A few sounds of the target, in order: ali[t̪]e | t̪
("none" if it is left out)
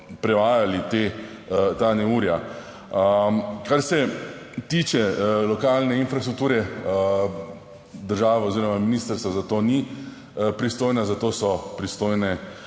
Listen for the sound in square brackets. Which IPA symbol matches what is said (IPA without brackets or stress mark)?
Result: t̪